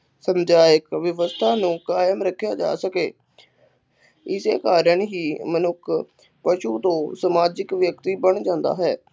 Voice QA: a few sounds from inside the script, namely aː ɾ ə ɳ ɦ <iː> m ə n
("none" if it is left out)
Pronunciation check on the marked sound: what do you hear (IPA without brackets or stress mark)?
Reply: iː